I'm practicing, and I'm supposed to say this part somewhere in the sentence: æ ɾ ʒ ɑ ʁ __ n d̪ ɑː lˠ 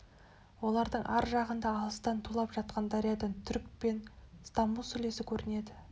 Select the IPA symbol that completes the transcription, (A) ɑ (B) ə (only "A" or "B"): B